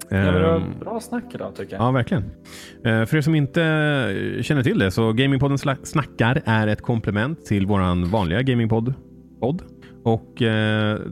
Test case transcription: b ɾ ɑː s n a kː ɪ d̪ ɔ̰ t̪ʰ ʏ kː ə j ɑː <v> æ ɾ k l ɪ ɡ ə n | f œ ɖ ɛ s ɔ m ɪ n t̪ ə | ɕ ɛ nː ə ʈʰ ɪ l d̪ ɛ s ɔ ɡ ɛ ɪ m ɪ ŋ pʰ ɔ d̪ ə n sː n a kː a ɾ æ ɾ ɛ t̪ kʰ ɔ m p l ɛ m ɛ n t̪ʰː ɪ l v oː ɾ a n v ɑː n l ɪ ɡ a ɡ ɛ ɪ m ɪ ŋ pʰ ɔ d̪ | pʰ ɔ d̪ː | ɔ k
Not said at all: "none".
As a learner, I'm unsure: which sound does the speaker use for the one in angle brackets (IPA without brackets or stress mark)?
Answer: v